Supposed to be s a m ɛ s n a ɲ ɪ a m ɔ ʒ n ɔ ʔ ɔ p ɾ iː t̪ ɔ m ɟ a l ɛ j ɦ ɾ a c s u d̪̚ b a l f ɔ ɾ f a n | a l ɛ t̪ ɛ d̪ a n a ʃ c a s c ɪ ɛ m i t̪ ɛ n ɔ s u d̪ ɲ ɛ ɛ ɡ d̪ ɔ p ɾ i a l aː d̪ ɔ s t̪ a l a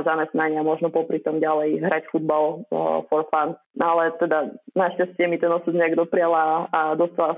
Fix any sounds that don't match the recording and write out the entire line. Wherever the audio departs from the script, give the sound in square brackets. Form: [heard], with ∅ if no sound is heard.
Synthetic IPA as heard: [z] a m ɛ s n a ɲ ɪ a m ɔ ʒ n ɔ [p] ɔ p ɾ [i] t̪ ɔ m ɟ a l ɛ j ɦ ɾ a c [f] u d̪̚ b a l f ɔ ɾ f a n | a l ɛ t̪ ɛ d̪ a n a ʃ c a s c ɪ ɛ m i t̪ ɛ n ɔ s u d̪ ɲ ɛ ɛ ɡ d̪ ɔ p ɾ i a l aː d̪ ɔ s t̪ a l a